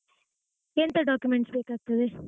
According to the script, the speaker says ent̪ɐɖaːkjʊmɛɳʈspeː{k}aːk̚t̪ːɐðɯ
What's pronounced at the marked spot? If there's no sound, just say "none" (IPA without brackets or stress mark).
k